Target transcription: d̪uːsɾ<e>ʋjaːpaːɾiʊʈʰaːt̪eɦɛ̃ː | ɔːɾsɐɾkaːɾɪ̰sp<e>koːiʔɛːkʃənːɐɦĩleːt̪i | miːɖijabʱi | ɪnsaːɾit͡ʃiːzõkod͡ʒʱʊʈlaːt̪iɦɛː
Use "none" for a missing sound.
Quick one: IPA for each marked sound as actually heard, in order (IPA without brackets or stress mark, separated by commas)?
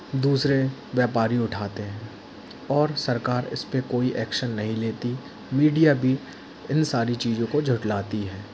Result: e, e